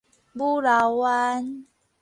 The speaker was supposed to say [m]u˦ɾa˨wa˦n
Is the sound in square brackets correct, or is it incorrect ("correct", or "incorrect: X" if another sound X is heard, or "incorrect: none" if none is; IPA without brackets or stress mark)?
incorrect: b